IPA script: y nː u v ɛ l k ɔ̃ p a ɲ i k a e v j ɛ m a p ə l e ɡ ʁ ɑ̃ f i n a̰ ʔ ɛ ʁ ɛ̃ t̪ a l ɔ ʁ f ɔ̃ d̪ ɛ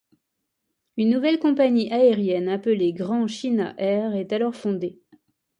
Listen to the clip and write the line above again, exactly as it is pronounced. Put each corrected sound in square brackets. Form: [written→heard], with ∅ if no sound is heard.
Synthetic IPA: y nː u v ɛ l k ɔ̃ p a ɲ i [k→ʔ] a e [v→ʁ] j ɛ [m→n] a p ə l e ɡ ʁ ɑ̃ [f→ʃ] i n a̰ ʔ ɛ ʁ [ɛ̃→ɛ] t̪ a l ɔ ʁ f ɔ̃ d̪ [ɛ→e]